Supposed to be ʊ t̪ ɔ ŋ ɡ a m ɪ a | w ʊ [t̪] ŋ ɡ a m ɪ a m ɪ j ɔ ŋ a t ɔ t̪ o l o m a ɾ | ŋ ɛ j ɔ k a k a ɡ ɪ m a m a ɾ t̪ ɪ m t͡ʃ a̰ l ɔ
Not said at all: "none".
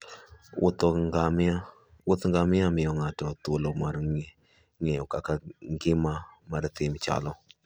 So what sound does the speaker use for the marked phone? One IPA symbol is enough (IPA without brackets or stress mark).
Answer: t̪